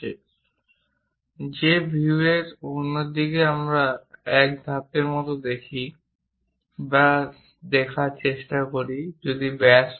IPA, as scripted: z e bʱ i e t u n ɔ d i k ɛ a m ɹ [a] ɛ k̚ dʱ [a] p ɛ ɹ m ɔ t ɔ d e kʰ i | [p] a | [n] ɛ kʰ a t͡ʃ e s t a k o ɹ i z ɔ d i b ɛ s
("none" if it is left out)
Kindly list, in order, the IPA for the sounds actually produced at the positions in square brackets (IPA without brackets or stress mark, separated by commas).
a, a, b, d